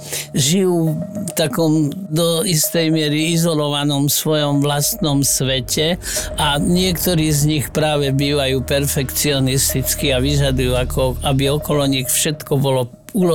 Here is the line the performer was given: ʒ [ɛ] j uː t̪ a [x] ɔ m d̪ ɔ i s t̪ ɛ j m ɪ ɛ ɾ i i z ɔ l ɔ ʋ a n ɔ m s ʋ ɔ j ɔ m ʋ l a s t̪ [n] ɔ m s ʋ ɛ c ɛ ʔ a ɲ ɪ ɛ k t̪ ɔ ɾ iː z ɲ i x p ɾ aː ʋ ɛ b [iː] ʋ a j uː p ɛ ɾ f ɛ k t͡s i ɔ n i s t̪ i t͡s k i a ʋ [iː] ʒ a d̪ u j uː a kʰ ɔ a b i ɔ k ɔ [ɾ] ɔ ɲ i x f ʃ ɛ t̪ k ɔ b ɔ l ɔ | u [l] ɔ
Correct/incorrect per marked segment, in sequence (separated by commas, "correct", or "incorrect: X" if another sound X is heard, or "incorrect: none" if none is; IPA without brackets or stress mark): incorrect: i, incorrect: k, correct, correct, incorrect: i, incorrect: l, correct